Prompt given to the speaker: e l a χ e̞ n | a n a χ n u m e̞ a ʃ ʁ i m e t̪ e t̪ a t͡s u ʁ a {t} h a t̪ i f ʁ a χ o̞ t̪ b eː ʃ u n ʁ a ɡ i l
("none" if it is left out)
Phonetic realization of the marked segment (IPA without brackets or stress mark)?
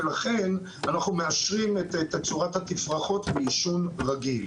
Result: t